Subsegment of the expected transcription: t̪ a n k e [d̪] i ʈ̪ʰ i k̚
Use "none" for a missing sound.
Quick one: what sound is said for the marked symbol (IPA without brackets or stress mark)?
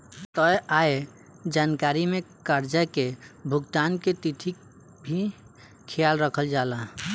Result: t̪